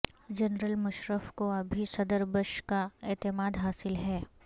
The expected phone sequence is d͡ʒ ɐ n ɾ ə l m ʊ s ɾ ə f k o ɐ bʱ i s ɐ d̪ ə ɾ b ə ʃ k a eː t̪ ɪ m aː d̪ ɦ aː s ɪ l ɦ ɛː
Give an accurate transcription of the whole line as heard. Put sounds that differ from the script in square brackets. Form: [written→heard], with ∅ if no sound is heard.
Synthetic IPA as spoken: d͡ʒ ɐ n ɾ ə l m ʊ [s→ʃ] ɾ ə f k o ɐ bʱ i s ɐ d̪ ə ɾ b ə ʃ k a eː t̪ ɪ m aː d̪ ɦ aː s ɪ l ɦ ɛː